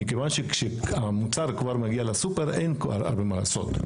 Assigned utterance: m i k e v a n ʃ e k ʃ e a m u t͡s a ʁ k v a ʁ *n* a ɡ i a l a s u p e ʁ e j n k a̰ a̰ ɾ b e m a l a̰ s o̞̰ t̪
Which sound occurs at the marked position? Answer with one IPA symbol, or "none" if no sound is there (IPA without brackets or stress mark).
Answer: m